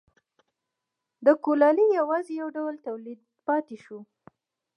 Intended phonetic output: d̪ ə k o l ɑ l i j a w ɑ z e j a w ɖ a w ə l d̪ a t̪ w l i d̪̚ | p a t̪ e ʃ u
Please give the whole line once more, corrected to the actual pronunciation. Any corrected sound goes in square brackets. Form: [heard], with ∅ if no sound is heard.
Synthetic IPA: d̪ ə k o l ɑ l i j a w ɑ z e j a w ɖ a w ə l [t̪] a [∅] w l i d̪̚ | p [ɑ] t̪ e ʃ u